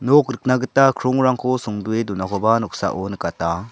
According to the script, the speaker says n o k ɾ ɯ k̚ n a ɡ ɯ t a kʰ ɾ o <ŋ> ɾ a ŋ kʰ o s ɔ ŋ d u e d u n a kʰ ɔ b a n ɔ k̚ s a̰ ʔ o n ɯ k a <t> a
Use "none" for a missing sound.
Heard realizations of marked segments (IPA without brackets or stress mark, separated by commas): ŋ, t